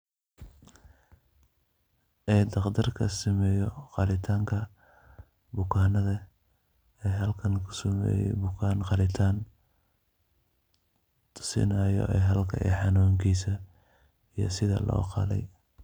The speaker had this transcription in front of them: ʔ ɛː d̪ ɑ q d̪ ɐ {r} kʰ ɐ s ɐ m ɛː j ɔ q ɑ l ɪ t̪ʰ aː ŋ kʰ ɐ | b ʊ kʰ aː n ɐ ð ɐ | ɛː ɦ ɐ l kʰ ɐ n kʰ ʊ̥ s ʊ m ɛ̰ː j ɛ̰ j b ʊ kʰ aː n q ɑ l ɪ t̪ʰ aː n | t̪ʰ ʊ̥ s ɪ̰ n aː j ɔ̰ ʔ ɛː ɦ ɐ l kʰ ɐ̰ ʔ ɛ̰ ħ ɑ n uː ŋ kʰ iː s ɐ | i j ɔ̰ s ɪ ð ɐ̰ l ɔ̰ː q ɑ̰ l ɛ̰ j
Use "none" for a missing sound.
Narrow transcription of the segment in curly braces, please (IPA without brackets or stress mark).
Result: r